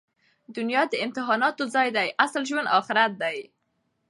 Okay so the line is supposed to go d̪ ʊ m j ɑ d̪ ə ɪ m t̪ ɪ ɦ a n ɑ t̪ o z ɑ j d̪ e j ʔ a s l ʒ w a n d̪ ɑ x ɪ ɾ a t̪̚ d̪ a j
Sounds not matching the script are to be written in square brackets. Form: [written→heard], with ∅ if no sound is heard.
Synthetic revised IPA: d̪ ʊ [m→n] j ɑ d̪ ə ɪ m t̪ ɪ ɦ [a→ɑ] n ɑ t̪ o z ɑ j d̪ [e→a] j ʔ a s l ʒ w a n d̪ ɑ x ɪ ɾ a t̪̚ d̪ a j